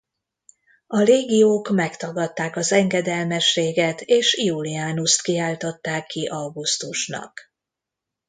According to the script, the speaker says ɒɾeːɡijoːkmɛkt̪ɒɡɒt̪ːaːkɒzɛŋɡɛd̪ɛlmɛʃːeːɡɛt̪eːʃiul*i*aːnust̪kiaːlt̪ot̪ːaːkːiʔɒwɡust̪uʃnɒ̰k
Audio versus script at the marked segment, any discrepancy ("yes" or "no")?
no